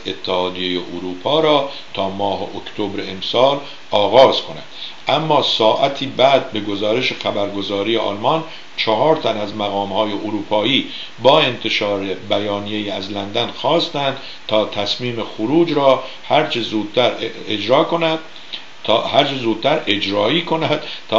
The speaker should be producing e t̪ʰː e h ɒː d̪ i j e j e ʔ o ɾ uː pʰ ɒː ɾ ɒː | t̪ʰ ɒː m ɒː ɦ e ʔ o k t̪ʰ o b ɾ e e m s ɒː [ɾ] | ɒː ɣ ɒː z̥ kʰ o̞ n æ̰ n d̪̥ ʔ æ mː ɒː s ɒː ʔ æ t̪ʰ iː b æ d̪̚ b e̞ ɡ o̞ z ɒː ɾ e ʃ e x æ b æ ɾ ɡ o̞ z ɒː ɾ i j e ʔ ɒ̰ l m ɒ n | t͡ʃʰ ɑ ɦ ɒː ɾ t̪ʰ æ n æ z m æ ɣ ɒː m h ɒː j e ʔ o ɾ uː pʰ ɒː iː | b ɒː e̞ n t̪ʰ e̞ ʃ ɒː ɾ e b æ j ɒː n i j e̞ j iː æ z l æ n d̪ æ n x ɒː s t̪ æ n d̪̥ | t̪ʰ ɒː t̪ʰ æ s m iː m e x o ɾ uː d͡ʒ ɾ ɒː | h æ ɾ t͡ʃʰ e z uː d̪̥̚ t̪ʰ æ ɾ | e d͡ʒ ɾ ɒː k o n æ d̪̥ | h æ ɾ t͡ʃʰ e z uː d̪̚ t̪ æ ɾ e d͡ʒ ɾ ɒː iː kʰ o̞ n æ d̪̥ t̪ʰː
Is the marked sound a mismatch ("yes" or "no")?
yes